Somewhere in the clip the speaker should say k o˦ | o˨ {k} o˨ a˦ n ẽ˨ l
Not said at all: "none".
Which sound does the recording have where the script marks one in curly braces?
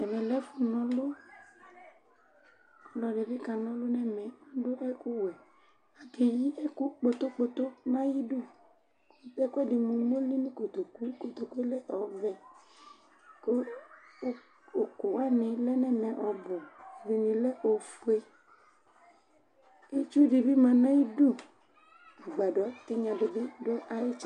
k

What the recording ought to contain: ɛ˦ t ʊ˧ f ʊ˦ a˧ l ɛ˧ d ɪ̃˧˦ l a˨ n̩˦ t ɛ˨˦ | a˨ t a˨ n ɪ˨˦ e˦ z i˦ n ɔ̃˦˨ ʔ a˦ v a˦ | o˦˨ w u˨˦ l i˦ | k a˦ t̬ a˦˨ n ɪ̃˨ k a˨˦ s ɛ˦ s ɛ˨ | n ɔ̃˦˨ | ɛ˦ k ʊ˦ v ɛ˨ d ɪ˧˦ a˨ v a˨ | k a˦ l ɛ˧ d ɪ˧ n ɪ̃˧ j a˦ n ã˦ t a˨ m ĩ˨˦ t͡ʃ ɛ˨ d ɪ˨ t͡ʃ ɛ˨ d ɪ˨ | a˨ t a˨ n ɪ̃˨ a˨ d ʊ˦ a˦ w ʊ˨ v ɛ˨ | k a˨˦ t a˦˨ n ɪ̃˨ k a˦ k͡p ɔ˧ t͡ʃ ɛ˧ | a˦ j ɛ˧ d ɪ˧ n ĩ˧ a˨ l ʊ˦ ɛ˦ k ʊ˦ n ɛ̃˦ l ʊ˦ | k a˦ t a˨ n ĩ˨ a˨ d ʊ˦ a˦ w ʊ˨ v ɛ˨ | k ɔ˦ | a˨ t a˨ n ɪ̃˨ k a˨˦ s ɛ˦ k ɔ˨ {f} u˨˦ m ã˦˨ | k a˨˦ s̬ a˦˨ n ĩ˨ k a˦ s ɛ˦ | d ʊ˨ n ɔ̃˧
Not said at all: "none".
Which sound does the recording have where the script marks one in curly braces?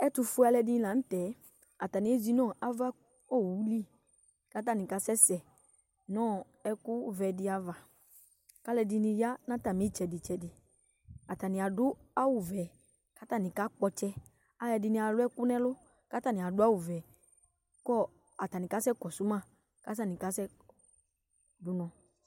s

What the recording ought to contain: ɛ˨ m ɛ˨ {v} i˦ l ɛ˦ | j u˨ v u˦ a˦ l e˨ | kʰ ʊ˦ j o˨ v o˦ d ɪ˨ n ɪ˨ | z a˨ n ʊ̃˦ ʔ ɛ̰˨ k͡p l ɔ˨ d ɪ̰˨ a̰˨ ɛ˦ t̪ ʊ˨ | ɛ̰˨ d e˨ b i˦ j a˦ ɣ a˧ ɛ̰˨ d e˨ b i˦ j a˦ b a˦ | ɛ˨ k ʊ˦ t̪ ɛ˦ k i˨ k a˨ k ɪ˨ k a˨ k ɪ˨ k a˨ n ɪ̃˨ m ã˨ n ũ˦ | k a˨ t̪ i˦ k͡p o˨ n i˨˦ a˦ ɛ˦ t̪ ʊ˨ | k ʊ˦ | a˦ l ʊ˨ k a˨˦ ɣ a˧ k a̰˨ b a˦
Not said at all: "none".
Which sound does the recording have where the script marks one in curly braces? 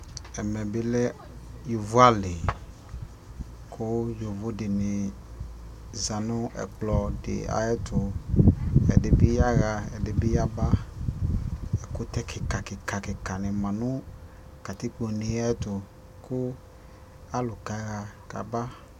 b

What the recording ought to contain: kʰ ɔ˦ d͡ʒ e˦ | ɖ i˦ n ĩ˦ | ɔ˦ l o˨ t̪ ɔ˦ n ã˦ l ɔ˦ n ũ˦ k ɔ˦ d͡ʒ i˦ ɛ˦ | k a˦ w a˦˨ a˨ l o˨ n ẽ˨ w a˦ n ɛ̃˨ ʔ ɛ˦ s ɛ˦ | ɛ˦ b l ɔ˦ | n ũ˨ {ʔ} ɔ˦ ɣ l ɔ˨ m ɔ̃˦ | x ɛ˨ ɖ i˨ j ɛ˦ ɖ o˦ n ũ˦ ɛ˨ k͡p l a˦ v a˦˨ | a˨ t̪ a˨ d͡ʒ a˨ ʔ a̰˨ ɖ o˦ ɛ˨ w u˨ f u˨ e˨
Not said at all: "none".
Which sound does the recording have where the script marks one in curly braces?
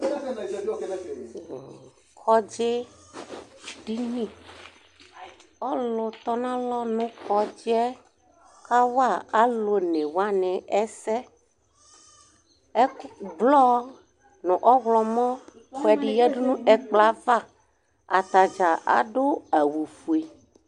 ʔ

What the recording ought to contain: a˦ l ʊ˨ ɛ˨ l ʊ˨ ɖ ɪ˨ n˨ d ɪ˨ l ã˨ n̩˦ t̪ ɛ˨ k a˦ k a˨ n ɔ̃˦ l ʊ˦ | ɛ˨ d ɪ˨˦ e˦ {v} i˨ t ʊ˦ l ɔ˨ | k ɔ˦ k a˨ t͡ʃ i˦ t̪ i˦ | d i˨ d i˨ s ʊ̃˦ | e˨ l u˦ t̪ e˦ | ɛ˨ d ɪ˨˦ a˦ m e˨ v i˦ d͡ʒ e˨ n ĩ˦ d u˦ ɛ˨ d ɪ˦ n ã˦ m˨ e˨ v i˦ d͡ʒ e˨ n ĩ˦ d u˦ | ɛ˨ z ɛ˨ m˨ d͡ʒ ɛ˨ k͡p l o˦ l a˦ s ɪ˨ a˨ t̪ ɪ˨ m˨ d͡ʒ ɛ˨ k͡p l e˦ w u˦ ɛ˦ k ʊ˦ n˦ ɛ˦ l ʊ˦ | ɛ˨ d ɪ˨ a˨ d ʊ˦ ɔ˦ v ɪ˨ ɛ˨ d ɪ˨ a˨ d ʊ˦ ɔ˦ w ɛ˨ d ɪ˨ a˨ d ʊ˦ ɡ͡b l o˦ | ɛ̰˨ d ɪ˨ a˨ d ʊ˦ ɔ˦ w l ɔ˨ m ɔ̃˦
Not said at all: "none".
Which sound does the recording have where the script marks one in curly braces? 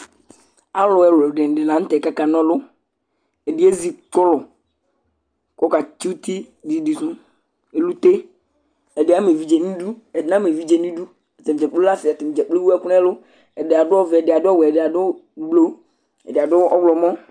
z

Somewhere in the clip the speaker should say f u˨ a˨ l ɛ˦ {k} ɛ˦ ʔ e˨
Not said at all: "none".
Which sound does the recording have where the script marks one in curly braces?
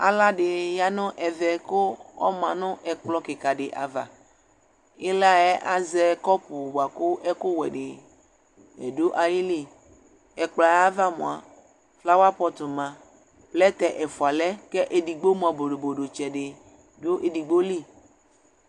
k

